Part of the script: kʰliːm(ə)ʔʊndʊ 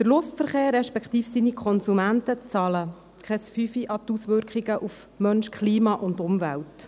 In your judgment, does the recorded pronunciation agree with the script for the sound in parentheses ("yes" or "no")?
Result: no